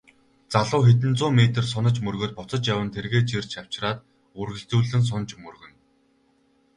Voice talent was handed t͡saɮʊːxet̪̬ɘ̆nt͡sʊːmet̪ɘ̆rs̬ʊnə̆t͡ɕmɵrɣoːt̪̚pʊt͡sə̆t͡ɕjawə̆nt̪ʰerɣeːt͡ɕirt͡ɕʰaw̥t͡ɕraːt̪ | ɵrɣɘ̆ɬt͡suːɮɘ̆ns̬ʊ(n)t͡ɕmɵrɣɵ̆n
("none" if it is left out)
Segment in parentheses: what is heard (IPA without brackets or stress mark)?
n